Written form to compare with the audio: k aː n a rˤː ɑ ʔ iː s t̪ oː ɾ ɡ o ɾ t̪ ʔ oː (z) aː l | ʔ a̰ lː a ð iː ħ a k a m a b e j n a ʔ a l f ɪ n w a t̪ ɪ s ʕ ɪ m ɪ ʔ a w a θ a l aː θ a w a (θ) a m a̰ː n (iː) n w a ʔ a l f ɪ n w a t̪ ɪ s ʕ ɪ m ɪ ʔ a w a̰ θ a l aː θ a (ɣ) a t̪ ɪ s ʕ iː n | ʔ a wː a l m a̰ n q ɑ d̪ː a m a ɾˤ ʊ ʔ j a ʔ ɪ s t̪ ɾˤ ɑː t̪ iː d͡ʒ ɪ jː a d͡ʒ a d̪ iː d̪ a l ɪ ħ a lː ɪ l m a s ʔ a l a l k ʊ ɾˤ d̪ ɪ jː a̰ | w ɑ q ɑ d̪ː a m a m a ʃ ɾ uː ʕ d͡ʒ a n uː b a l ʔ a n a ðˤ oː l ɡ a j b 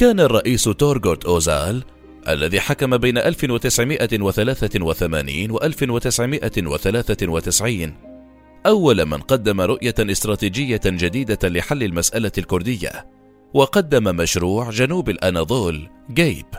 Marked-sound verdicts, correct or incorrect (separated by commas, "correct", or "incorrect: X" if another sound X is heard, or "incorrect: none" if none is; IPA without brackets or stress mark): correct, correct, correct, incorrect: w